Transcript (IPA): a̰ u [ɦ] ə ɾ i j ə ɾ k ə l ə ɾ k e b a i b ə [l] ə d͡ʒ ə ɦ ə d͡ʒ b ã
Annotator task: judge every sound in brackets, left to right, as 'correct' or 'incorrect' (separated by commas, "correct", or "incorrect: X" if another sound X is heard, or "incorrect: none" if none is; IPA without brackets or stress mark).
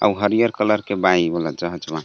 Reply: correct, correct